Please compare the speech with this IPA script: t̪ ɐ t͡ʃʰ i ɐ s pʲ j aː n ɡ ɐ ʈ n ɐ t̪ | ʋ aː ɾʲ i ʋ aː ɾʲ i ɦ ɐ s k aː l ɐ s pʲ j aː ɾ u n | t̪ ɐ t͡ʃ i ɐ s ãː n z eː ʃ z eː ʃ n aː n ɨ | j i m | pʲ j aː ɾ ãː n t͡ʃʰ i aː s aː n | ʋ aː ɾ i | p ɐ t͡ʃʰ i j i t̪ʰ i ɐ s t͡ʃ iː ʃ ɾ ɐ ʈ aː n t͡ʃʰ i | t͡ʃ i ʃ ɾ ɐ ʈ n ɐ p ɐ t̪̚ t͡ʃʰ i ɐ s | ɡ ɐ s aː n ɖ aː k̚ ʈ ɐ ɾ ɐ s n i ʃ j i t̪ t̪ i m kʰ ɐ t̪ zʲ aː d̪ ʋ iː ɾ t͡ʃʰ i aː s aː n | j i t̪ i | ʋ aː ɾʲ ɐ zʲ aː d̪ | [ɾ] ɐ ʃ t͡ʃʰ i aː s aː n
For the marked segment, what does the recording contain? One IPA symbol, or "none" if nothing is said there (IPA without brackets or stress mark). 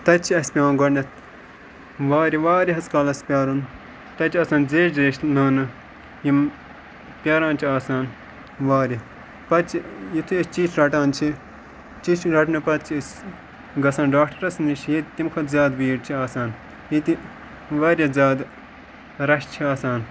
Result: ɾ